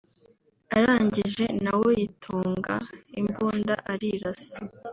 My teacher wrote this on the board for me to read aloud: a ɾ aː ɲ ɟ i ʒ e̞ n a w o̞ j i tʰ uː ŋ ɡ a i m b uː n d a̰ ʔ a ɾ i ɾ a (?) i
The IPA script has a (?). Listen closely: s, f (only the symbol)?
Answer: s